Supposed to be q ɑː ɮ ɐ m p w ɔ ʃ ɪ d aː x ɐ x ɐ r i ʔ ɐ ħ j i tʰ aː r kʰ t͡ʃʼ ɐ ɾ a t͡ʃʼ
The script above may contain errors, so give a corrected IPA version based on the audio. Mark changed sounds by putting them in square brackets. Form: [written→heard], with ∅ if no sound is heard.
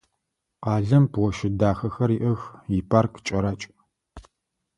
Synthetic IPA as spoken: q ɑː ɮ ɐ m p w ɔ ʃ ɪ d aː x ɐ x ɐ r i ʔ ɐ [ħ→x] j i [tʰ→pʰ] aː r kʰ t͡ʃʼ ɐ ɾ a t͡ʃʼ